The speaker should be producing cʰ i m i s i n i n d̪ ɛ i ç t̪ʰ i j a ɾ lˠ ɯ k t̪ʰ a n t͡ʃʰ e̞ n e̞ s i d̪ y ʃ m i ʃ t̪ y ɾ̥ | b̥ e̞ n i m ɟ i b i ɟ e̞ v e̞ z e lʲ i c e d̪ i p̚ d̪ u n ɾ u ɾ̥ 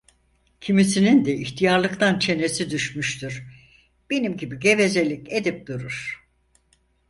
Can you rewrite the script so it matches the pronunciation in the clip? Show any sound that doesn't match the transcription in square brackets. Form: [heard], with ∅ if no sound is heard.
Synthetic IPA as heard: cʰ i m i s i n i n d̪ ɛ i ç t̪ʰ i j a ɾ lˠ ɯ k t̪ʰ a n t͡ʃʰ e̞ n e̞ s i d̪ y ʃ m [y] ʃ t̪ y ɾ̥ | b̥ e̞ n i m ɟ i b i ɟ e̞ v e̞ z e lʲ i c e d̪ i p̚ d̪ u [∅] ɾ u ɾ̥